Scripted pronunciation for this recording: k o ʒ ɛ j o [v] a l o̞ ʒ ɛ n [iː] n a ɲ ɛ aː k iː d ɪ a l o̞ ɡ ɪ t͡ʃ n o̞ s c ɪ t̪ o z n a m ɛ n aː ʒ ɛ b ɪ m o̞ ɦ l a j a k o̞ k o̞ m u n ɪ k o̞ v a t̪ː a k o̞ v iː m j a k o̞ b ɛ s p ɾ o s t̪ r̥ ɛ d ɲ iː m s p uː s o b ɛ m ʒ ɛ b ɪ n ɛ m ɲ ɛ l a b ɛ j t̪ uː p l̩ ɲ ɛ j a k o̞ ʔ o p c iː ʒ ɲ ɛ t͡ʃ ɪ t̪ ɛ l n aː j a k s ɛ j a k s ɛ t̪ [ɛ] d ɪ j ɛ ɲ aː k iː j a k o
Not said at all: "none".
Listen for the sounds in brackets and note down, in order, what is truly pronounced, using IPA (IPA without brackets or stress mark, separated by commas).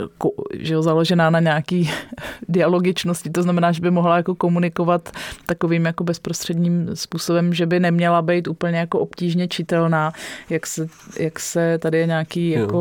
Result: z, aː, a